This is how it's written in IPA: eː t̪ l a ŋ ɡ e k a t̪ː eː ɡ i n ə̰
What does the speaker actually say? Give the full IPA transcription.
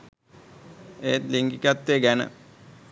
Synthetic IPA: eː t̪ l i ŋ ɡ i k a t̪ː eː ɡ æ n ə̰